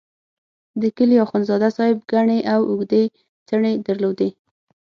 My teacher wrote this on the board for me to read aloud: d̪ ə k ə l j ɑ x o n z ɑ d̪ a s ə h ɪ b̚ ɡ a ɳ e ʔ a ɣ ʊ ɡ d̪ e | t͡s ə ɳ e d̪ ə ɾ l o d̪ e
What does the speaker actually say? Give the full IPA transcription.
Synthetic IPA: d̪ ə k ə l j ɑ x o n z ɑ d̪ a s ɑ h ɪ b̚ ɡ a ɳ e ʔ a w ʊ ɡ d̪ e | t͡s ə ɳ e d̪ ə ɾ l o d̪ e